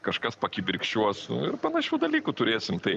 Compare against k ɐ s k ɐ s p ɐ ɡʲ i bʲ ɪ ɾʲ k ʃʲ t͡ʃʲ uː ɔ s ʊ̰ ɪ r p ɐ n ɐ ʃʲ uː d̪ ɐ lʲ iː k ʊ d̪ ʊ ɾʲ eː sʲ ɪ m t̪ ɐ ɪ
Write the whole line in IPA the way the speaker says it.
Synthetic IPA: k ɐ ʃ k ɐ s p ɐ kʲ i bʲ ɪ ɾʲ k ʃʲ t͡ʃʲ u ɔ s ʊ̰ ɪ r p ɐ n ɐ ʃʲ uː d̪ ɐ lʲ iː k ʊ t̪ ʊ ɾʲ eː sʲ ɪ m t̪ ɐ ɪ